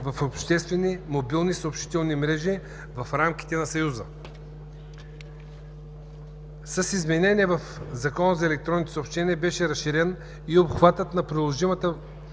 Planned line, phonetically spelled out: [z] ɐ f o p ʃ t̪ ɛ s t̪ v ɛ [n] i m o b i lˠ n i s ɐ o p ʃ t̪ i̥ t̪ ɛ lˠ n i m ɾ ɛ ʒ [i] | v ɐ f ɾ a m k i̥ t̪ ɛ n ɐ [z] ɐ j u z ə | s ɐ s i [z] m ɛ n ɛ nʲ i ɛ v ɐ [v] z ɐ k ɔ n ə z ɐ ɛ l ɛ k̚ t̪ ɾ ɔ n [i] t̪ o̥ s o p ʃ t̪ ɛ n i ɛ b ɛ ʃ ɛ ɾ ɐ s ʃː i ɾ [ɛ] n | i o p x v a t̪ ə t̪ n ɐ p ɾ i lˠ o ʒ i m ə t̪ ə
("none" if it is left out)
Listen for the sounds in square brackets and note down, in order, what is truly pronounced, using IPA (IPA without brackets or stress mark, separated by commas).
v, n, i, s, z, f, i, ɛ